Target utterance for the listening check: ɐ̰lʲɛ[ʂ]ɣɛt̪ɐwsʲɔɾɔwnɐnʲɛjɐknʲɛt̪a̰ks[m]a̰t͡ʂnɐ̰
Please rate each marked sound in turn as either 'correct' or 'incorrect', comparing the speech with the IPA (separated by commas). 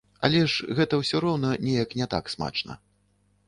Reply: correct, correct